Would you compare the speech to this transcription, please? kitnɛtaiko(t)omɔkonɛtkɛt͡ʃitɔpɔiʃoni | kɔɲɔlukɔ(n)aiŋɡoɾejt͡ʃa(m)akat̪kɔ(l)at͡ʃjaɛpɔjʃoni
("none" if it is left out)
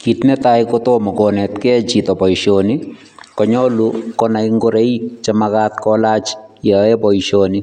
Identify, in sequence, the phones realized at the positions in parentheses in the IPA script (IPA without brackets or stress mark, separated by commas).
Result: t, n, m, l